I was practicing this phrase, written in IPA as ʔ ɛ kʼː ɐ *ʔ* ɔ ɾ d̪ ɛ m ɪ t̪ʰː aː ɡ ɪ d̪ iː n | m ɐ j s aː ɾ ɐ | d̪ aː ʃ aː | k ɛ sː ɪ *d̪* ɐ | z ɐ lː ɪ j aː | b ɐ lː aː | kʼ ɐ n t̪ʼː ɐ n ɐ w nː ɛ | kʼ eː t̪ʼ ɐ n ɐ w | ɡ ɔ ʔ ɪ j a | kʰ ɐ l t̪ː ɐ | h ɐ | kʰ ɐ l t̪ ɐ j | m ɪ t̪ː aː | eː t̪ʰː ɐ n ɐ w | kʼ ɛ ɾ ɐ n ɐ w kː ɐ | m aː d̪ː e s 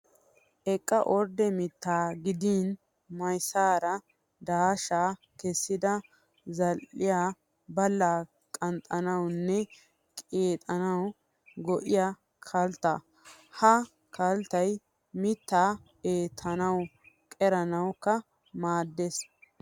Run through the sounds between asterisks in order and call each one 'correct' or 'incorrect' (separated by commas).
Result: correct, correct